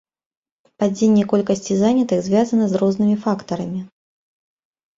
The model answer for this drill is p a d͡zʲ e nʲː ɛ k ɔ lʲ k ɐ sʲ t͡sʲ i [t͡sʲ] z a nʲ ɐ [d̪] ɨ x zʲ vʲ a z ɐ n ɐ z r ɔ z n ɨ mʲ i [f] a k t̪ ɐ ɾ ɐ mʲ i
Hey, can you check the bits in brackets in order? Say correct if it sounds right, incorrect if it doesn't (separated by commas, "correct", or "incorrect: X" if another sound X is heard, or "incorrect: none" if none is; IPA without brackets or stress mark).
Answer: incorrect: none, incorrect: t̪, correct